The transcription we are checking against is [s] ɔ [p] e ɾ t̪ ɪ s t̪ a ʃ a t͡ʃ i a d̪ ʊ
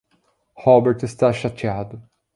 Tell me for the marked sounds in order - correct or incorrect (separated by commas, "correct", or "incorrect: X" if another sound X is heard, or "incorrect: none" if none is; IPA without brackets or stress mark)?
incorrect: h, incorrect: b